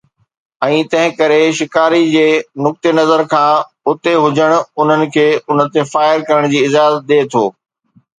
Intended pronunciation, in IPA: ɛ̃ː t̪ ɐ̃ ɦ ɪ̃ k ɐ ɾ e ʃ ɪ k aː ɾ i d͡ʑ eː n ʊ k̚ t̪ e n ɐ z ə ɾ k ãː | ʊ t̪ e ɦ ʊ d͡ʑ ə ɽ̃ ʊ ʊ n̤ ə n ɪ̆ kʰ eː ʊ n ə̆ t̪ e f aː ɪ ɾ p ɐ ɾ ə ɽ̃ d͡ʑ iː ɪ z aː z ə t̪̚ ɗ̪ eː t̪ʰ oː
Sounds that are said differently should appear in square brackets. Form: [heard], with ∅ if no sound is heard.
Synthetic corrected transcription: ɛ̃ː t̪ ɐ̃ ɦ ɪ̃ k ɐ ɾ e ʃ ɪ k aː ɾ i d͡ʑ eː n ʊ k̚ t̪ e n ɐ z ə ɾ [kʰ] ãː | ʊ t̪ e ɦ ʊ d͡ʑ ə ɽ̃ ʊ ʊ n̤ ə n ɪ̆ kʰ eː ʊ n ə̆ t̪ e f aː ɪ ɾ [k] ɐ ɾ ə ɽ̃ d͡ʑ iː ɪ z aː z ə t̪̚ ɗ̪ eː t̪ʰ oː